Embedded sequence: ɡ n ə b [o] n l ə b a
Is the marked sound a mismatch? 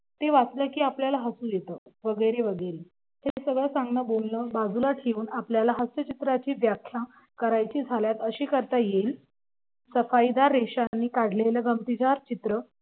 no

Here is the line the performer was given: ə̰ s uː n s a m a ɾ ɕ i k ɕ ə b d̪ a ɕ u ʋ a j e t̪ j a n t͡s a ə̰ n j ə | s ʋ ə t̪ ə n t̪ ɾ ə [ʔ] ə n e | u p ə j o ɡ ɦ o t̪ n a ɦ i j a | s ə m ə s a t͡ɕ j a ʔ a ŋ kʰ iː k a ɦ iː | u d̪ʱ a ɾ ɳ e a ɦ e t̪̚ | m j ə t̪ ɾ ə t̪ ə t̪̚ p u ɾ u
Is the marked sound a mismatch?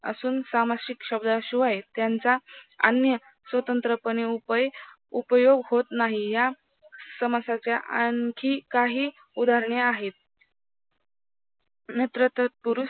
yes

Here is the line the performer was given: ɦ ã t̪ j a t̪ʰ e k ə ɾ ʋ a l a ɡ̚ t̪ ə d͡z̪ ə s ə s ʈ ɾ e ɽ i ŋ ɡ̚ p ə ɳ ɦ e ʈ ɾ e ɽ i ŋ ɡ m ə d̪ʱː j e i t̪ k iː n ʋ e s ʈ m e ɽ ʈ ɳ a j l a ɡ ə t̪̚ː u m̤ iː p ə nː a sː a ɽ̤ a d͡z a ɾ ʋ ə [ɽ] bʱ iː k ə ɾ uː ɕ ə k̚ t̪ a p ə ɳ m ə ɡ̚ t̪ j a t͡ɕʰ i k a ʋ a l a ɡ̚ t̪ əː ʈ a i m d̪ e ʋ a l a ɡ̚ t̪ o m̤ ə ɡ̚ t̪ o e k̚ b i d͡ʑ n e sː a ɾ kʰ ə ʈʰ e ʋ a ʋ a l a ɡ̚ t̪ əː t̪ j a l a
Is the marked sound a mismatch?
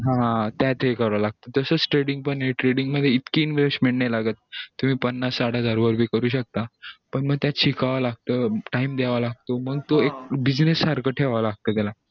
yes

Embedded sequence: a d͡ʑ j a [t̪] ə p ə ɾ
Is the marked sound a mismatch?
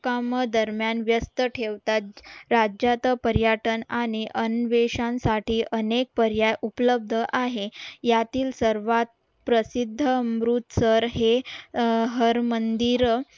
no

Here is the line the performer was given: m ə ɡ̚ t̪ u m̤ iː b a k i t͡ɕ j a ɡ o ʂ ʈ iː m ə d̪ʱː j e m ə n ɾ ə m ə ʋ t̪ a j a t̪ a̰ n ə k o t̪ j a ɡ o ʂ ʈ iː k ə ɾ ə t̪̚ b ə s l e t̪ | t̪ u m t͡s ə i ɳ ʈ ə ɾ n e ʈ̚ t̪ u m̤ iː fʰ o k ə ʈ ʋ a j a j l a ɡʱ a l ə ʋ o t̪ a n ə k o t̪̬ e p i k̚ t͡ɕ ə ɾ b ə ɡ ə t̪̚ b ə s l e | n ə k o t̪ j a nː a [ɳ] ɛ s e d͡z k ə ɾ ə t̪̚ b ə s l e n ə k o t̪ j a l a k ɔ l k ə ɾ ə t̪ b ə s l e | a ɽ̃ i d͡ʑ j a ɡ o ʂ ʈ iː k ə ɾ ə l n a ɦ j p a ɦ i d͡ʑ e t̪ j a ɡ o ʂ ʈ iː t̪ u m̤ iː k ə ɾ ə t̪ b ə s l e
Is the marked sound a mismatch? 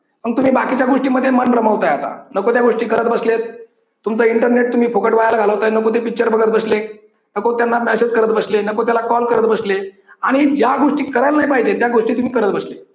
yes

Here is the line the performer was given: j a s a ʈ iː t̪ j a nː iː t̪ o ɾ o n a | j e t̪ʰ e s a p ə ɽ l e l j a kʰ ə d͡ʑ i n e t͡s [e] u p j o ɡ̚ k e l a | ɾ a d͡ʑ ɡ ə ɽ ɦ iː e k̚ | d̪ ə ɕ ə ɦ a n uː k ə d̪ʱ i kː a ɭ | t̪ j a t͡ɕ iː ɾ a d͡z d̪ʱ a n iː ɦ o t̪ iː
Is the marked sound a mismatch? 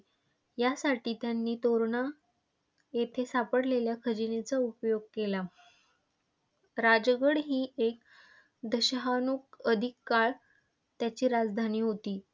yes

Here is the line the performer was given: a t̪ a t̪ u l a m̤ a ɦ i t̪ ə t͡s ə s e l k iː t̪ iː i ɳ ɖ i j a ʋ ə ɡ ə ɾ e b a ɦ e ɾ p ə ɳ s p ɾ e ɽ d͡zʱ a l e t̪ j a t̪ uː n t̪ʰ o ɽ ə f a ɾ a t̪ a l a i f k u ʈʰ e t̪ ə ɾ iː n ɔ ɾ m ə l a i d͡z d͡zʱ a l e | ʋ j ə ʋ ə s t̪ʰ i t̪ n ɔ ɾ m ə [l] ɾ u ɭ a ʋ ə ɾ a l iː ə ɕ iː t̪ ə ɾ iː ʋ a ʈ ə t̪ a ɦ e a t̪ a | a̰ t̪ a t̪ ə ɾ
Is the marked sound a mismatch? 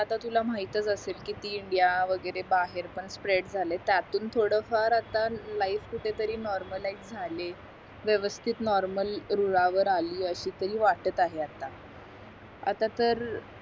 no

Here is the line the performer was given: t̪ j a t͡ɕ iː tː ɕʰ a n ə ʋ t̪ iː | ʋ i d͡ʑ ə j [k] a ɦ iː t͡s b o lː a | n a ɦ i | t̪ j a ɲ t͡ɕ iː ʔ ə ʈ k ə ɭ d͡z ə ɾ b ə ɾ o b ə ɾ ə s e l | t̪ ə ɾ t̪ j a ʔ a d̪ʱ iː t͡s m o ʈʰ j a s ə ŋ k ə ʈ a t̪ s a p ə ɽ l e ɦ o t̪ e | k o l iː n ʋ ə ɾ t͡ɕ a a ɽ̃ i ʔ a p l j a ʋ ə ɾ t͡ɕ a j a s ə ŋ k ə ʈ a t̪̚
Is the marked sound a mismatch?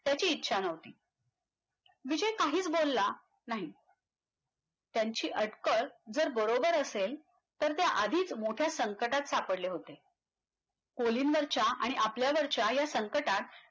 no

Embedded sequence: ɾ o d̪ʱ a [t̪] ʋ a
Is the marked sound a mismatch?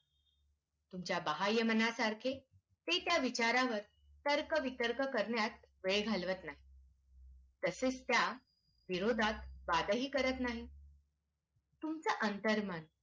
no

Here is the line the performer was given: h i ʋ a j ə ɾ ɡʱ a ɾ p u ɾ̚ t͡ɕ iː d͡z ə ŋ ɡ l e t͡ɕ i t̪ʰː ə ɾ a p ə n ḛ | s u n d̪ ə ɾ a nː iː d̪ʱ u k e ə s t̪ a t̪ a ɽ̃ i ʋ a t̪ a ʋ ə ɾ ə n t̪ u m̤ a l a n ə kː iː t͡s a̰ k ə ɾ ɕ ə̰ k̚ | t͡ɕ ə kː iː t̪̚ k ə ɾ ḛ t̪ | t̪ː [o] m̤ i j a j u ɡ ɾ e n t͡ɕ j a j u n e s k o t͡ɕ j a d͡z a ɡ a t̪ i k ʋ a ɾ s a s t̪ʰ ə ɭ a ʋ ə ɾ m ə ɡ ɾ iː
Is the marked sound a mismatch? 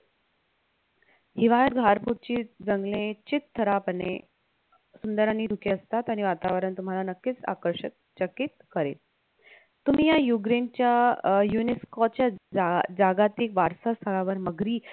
yes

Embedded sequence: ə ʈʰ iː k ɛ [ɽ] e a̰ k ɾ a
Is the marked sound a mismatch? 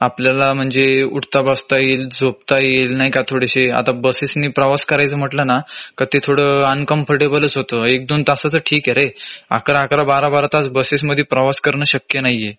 yes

